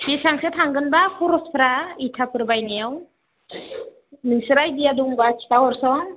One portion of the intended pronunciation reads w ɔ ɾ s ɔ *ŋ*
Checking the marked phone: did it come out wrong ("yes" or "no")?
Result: no